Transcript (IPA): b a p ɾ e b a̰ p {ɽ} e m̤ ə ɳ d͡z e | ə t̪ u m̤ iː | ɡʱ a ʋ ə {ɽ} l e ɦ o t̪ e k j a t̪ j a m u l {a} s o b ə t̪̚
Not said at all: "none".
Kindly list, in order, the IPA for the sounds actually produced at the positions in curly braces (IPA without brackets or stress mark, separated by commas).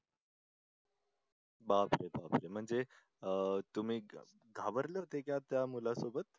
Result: ɾ, ɾ, a